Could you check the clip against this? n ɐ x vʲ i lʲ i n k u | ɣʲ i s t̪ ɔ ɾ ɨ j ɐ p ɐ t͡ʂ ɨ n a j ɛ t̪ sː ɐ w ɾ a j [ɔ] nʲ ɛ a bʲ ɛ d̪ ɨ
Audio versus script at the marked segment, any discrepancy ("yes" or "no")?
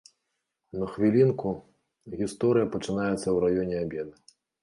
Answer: no